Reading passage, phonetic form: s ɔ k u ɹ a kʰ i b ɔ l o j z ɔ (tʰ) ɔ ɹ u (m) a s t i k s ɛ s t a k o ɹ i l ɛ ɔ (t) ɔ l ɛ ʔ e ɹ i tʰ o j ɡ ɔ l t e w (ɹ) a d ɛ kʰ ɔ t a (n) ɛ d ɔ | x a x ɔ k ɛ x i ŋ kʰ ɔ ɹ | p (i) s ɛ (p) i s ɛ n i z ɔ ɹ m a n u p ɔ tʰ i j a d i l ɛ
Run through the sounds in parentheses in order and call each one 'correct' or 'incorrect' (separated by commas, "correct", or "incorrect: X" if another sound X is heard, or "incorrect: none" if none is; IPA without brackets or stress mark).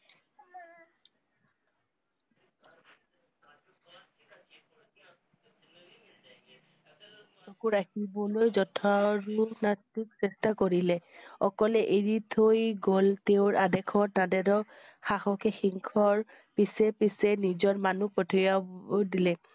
correct, incorrect: n, incorrect: k, correct, incorrect: d, correct, correct